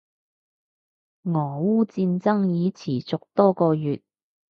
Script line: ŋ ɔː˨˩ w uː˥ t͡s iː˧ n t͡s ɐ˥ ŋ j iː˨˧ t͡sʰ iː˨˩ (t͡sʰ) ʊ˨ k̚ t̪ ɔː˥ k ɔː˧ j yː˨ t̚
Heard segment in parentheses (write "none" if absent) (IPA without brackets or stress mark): t͡s